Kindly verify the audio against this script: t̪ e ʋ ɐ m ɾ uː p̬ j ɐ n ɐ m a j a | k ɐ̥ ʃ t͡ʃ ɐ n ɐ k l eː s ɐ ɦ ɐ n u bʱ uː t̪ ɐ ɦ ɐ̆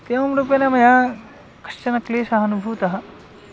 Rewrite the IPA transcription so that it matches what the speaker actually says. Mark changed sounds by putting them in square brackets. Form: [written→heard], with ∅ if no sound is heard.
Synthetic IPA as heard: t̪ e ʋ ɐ m ɾ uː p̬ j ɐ n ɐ m [a→ɐ] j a | k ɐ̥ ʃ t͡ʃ ɐ n ɐ k l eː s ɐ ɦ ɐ n u bʱ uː t̪ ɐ ɦ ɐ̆